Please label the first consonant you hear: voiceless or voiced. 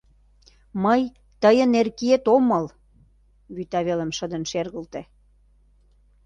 voiced